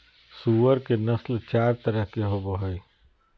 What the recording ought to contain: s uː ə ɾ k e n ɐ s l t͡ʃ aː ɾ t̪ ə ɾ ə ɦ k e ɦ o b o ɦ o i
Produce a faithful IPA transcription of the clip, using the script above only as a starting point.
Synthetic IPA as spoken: s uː ə ɾ k e n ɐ s l t͡ʃ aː ɾ t̪ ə ɾ ə ɦ k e ɦ o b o ɦ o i